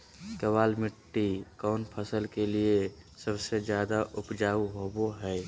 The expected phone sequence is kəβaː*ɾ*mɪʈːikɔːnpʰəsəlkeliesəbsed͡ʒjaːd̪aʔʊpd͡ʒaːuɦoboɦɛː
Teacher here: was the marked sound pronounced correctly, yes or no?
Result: no